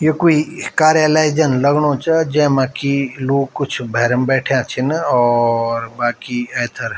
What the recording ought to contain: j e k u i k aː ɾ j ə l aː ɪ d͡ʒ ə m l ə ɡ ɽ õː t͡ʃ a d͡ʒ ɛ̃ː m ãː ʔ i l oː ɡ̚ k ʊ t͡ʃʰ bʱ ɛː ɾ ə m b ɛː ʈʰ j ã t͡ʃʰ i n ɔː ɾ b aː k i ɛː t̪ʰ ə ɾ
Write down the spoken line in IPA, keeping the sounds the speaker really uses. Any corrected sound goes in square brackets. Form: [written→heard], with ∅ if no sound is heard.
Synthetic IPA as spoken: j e k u i k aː ɾ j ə l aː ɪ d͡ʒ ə [m→n] l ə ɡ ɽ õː t͡ʃ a d͡ʒ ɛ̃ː m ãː [ʔ→k] i l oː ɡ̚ k ʊ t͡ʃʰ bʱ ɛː ɾ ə m b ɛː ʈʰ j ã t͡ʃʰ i n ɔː ɾ b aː k i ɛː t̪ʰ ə ɾ

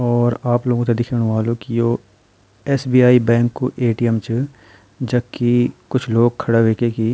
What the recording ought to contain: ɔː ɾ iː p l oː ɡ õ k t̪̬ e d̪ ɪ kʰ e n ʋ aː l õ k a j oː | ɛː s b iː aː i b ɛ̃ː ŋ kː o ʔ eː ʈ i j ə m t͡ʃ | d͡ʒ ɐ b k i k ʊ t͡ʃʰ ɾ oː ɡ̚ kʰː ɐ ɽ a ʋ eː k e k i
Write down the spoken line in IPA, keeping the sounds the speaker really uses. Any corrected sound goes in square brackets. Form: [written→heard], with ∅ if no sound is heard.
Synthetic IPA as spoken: ɔː ɾ [iː→aː] p l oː ɡ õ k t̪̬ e d̪ ɪ kʰ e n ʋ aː l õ k [a→i] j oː | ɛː s b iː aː i b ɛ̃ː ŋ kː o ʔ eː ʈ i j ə m t͡ʃ | d͡ʒ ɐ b k i k ʊ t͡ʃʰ [ɾ→l] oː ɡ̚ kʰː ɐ ɽ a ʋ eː k e k i

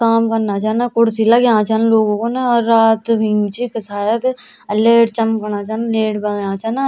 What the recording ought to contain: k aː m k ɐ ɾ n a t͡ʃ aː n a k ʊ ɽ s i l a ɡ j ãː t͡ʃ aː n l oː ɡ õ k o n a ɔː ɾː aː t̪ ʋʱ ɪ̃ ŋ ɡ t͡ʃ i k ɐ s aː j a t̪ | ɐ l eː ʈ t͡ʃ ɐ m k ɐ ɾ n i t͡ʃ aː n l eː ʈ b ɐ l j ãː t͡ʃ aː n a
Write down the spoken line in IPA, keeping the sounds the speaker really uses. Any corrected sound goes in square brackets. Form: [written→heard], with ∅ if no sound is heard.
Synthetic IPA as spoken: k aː m k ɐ ɾ n a t͡ʃ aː n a k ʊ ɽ s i l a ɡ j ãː t͡ʃ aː n l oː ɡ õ k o n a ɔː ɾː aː t̪ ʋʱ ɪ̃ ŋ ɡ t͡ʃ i k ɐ s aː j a t̪ | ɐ l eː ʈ t͡ʃ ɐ m k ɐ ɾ n [i→a] t͡ʃ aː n l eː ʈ b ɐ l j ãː t͡ʃ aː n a

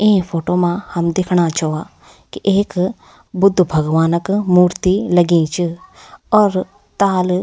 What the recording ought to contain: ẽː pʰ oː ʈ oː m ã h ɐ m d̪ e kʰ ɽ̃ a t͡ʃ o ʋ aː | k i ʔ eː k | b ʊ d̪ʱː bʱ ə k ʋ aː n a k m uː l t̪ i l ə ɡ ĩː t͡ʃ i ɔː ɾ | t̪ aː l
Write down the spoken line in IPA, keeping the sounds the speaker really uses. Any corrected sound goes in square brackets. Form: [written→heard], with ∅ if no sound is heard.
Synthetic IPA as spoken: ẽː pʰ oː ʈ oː m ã h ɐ m d̪ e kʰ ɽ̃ a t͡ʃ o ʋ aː | k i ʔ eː k | b ʊ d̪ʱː bʱ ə [k→ɡ] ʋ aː n [a→ə] k m uː [l→ɾ] t̪ i l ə ɡ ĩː t͡ʃ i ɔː ɾ | t̪ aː l

